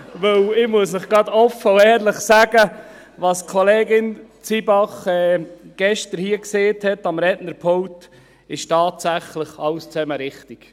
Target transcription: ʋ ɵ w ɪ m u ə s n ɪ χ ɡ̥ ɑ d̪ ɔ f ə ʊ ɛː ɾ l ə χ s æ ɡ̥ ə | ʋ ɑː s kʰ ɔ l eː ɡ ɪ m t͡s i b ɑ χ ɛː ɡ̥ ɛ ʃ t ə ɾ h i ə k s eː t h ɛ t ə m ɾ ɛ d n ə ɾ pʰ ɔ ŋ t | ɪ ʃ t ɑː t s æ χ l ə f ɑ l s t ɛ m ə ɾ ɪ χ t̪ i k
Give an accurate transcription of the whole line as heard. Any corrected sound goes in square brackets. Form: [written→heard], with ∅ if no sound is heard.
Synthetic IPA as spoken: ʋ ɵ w ɪ m u ə s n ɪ χ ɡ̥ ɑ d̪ ɔ f ə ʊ ɛː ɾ l ə χ s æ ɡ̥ ə | ʋ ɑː s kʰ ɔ l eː ɡ ɪ [m→n] t͡s i b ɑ χ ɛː ɡ̥ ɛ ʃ t ə ɾ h i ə k s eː t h ɛ t [ə→ɑ] m ɾ ɛ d n ə ɾ pʰ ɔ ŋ t | ɪ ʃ t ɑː t s æ χ l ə [f→χ] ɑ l s [t→t͡s] ɛ m ə ɾ ɪ χ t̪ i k